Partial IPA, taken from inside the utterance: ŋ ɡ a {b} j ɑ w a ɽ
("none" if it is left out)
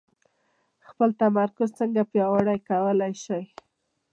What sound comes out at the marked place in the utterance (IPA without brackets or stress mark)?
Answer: p